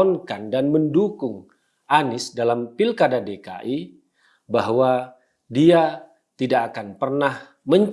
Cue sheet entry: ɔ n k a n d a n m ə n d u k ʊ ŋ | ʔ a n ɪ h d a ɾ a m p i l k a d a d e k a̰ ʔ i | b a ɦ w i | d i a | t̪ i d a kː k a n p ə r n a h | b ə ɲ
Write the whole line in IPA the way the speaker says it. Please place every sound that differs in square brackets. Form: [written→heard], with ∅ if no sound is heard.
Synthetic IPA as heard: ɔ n k a n d a n m ə n d u k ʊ ŋ | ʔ a n ɪ [h→s] d a [ɾ→l] a m p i l k a d a d e k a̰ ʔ i | b a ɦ w [i→a] | d i a | t̪ i d a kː k a n p ə r n a h | [b→m] ə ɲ

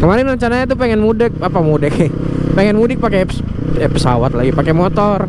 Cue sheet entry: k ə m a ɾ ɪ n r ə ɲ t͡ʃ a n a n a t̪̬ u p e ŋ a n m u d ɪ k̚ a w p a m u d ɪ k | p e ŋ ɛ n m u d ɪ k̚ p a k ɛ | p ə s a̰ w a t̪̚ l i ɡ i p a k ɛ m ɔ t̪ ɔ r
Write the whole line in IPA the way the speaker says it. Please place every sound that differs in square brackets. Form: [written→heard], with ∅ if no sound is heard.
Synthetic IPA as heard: k ə m a ɾ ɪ n r ə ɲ t͡ʃ a n a [n→ɲ] a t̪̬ u p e ŋ [a→ɛ] n m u d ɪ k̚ a [w→∅] p a m u d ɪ k | p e ŋ ɛ n m u d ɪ k̚ p a k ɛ | p ə s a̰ w a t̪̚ l [i→a] ɡ i p a k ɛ m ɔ t̪ ɔ r

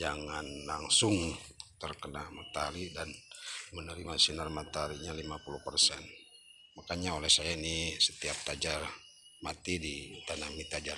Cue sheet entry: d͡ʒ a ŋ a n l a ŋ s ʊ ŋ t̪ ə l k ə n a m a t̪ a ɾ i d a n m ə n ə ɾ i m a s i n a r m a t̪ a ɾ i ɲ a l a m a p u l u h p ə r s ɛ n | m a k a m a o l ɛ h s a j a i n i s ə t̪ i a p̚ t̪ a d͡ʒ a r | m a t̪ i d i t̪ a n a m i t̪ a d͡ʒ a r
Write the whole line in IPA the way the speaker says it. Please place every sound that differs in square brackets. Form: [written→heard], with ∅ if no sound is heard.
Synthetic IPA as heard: d͡ʒ a ŋ a n l a ŋ s ʊ ŋ t̪ ə [l→r] k ə n a m a t̪ a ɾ i d a n m ə n ə ɾ i m a s i n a r m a t̪ a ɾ i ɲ a l [a→i] m a p u l u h p ə r s ɛ n | m a k a [m→ɲ] a o l ɛ h s a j a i n i s ə t̪ i a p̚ t̪ a d͡ʒ a r | m a t̪ i d i t̪ a n a m i t̪ a d͡ʒ a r

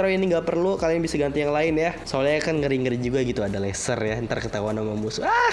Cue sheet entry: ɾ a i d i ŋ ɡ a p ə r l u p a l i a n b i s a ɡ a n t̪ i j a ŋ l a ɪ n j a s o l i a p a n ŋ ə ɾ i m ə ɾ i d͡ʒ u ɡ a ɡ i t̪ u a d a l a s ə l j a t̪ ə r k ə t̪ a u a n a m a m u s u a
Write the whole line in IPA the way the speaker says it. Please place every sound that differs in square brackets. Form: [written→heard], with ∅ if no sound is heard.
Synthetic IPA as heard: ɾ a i [d→n] i ŋ ɡ a p ə r l u [p→k] a l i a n b i s a ɡ a n t̪ i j a ŋ l a ɪ n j a s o l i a [p→k] a n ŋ ə ɾ i [m→ŋ] ə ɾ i d͡ʒ u ɡ a ɡ i t̪ u a d a l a s ə [l→r] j a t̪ ə r k ə t̪ a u a n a m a m u s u a

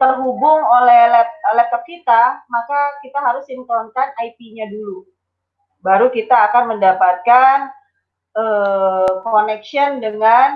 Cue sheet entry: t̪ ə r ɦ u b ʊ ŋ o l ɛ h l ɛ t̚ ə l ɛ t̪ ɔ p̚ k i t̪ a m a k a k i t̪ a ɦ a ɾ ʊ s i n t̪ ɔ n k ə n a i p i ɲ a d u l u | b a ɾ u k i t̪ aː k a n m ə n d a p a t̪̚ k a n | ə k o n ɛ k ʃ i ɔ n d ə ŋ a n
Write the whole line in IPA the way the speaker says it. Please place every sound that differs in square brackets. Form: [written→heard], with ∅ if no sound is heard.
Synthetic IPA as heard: t̪ ə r ɦ u b ʊ ŋ o l ɛ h l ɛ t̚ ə l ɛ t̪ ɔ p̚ k i t̪ a m a k a k i t̪ a ɦ a ɾ ʊ s i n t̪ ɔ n k [ə→a] n a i p i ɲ a d u l u | b a ɾ u k i t̪ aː k a n m ə n d a p a t̪̚ k a n | ə k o n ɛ k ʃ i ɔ n d ə ŋ a n

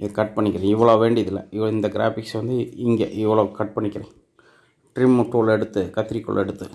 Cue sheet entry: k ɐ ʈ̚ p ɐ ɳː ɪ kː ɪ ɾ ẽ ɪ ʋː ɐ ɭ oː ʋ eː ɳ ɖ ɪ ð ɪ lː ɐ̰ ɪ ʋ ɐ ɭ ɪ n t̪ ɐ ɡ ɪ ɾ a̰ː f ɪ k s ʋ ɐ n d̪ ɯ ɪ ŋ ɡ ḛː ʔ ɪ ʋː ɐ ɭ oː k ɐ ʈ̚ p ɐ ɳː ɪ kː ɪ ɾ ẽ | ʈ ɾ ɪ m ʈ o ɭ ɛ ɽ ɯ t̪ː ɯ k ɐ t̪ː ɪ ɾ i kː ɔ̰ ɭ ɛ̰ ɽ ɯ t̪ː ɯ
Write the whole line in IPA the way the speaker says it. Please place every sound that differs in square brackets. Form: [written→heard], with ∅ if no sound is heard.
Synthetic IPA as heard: k ɐ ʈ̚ p ɐ ɳː ɪ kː ɪ ɾ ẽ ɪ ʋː ɐ ɭ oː ʋ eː ɳ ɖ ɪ ð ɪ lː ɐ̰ ɪ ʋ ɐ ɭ ɪ n [t̪→d̪] ɐ ɡ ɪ ɾ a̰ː f ɪ k s ʋ ɐ n d̪ ɯ ɪ ŋ ɡ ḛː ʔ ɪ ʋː ɐ ɭ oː k ɐ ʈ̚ p ɐ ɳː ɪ kː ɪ ɾ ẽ | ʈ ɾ ɪ m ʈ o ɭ ɛ ɽ ɯ t̪ː ɯ k ɐ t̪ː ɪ ɾ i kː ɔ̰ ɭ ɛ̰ ɽ ɯ t̪ː ɯ

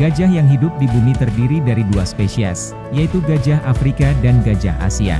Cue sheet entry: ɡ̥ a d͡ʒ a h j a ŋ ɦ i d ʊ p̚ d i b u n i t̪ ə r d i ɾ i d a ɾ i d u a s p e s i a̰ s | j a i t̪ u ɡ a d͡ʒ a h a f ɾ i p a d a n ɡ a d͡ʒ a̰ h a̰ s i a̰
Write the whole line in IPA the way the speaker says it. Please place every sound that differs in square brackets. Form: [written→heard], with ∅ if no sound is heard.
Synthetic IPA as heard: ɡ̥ a d͡ʒ a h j a ŋ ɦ i d ʊ p̚ d i b u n i t̪ ə r d i ɾ i d a ɾ i d u a s p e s i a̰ s | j a i t̪ u ɡ a d͡ʒ a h a f ɾ i [p→k] a d a n ɡ a d͡ʒ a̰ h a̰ s i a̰

